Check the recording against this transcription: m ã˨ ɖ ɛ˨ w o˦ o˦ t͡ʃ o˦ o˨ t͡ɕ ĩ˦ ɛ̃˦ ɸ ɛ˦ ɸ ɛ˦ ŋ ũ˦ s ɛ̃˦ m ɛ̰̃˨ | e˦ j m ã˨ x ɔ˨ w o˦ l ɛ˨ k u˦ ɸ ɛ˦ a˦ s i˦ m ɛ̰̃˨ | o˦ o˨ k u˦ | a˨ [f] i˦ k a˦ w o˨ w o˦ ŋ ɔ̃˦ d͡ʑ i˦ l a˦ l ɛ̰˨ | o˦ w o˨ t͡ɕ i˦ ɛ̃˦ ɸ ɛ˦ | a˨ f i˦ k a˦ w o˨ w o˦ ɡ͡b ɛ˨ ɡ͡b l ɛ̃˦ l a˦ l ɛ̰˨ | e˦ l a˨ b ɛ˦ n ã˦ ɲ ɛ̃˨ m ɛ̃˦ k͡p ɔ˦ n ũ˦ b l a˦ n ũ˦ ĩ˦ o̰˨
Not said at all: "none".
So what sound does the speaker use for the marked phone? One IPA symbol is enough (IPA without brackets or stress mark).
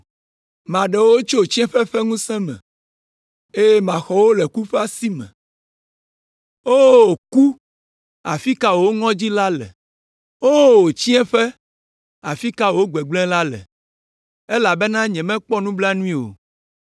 f